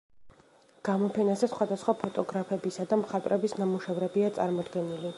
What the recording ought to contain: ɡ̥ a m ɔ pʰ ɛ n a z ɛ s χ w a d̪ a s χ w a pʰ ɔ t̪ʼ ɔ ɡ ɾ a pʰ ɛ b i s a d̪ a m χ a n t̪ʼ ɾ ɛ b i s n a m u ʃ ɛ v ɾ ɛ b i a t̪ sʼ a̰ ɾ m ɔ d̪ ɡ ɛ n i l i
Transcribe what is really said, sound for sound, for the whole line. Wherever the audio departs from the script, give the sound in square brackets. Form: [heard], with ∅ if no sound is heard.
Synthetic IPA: ɡ̥ a m ɔ pʰ ɛ n a z ɛ s χ w a d̪ a s χ w a pʰ ɔ t̪ʼ ɔ ɡ ɾ a pʰ ɛ b i s a d̪ a m χ a [∅] t̪ʼ ɾ ɛ b i s n a m u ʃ ɛ v ɾ ɛ b i a t̪ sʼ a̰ ɾ m ɔ d̪ ɡ ɛ n i l i